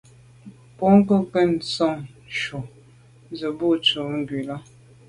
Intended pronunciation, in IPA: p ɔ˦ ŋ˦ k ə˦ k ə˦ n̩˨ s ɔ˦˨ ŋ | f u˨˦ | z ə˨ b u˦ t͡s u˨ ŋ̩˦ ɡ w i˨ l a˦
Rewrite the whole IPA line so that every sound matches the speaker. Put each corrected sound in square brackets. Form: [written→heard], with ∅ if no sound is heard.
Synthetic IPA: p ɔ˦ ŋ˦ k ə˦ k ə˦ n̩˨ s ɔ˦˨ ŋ | [f→ʃ] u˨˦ | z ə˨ b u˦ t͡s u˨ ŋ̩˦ ɡ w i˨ l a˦